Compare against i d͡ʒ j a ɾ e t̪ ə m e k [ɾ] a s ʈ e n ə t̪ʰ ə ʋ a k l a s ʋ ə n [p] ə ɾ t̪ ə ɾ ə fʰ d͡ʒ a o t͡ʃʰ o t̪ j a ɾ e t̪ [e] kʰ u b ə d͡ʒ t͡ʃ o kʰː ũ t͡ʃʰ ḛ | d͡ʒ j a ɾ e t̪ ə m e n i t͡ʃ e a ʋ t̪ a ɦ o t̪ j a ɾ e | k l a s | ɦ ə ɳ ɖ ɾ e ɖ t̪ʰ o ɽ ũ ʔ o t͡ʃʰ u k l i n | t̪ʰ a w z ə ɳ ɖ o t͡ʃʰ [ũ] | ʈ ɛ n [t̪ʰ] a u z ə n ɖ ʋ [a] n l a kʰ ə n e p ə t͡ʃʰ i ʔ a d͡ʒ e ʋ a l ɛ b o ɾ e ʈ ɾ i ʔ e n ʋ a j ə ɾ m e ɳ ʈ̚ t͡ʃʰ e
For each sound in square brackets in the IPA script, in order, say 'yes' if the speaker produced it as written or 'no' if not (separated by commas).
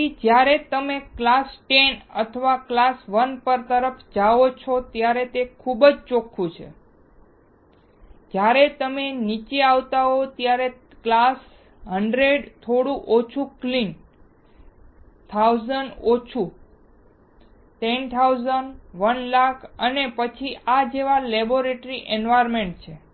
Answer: no, yes, yes, no, yes, no